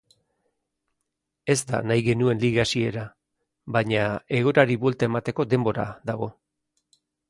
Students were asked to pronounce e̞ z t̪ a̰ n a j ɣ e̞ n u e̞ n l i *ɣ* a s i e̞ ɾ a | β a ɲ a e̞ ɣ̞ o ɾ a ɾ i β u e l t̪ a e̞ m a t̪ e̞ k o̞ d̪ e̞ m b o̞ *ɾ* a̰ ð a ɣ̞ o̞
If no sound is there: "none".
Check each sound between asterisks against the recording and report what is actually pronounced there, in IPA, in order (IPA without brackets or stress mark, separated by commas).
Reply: ɣ, ɾ